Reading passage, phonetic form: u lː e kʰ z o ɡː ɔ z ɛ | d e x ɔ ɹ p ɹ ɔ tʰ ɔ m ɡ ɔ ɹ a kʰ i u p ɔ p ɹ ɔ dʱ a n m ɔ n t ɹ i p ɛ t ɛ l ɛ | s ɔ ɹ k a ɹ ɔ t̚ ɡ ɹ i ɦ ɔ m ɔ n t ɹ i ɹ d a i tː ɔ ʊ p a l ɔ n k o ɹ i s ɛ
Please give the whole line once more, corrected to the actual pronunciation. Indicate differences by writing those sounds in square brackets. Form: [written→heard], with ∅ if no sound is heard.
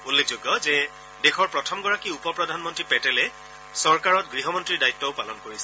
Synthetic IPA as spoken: u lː e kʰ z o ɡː ɔ z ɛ | d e x ɔ ɹ p ɹ ɔ tʰ ɔ m ɡ ɔ ɹ a [kʰ→k] i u p ɔ p ɹ ɔ dʱ a n m ɔ n t ɹ i p ɛ t ɛ l ɛ | s ɔ ɹ k a ɹ ɔ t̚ ɡ ɹ i ɦ ɔ m ɔ n t ɹ i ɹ d a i tː ɔ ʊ p a l ɔ n k o ɹ i s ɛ